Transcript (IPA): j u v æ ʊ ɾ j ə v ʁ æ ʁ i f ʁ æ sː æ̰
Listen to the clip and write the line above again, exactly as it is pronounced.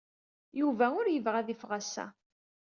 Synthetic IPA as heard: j u v æ ʊ ɾ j ə v ʁ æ ð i f ʁ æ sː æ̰